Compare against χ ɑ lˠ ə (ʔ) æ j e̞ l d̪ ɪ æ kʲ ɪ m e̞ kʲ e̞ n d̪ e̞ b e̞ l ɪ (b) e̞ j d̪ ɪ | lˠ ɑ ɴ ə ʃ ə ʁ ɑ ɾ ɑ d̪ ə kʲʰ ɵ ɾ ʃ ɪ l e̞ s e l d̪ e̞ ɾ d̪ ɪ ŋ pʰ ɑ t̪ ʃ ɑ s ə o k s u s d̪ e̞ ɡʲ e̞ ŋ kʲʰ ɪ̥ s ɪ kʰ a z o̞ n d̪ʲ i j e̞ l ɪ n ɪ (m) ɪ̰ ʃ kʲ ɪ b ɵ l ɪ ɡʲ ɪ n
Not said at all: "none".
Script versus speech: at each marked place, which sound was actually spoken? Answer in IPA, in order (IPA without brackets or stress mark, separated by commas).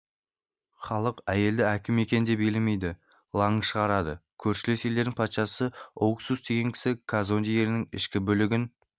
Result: q, m, ŋ